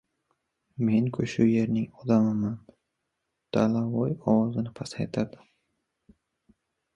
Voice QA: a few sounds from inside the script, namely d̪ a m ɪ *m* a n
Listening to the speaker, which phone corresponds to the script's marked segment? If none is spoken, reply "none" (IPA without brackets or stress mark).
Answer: m